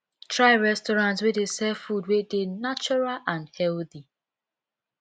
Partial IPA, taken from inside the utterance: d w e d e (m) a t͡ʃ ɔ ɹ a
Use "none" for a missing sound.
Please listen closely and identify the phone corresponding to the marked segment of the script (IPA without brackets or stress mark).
n